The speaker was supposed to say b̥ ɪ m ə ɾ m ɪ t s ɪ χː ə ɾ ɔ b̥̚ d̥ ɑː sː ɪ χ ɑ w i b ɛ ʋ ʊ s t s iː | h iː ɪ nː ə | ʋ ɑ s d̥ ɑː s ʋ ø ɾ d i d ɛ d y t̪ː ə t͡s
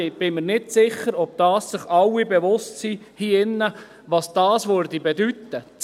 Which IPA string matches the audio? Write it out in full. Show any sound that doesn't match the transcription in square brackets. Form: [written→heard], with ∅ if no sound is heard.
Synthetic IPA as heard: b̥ ɪ m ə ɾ [m→n] ɪ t s ɪ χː ə ɾ ɔ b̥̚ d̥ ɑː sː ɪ χ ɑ w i b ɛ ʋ ʊ s t s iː | h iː ɪ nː ə | ʋ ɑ s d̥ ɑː s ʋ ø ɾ d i [d→b] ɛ d y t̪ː ə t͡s